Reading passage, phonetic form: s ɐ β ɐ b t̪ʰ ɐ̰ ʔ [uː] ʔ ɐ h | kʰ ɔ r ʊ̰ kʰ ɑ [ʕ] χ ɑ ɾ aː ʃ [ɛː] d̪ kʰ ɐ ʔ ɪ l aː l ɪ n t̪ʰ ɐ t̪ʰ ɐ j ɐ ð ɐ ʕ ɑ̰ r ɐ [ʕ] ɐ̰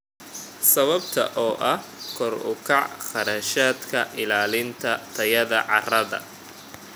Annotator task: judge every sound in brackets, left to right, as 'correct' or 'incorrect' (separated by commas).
incorrect, correct, incorrect, incorrect